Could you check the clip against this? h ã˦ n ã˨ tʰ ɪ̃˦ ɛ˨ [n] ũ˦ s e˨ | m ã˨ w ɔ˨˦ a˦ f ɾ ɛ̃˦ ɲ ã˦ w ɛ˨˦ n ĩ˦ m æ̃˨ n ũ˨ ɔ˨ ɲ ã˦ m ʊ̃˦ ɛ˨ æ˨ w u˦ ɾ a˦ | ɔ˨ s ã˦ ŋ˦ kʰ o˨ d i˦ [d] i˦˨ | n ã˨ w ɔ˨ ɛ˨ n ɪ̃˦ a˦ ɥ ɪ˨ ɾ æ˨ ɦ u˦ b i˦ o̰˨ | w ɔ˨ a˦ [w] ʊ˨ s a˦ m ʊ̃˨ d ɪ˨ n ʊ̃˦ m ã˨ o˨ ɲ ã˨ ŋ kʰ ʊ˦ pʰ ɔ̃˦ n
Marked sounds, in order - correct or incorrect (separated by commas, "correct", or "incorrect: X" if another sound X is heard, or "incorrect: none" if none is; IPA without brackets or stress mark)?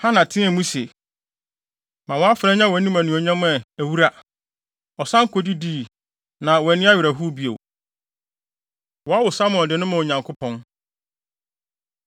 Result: incorrect: m, correct, correct